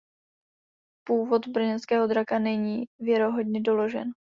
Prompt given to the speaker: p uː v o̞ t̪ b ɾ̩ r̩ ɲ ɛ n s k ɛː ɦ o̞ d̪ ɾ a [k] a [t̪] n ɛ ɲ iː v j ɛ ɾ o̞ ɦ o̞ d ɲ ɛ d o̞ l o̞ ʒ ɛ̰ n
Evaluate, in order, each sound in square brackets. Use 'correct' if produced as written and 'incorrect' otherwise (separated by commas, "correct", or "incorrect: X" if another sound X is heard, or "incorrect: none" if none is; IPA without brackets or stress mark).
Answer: correct, incorrect: none